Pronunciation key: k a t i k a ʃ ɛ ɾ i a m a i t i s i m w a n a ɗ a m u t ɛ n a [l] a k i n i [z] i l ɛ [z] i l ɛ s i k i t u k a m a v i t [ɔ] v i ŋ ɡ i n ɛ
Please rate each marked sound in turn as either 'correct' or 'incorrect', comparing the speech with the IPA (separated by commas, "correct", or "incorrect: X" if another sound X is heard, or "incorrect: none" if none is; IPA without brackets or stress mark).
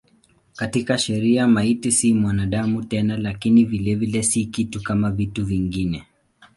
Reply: correct, incorrect: v, incorrect: v, incorrect: u